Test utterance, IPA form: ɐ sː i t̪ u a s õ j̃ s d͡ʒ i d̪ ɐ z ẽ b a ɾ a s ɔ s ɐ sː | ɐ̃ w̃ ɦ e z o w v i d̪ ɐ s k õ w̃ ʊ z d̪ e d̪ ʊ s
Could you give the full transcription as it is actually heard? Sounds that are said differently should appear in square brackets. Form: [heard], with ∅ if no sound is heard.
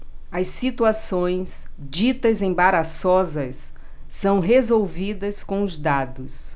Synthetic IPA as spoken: ɐ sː i t̪ u a s õ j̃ s d͡ʒ i [t̪] ɐ z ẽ b a ɾ a s ɔ [z] ɐ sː | ɐ̃ w̃ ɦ e z o w v i d̪ ɐ s k õ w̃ ʊ z d̪ [a] d̪ ʊ s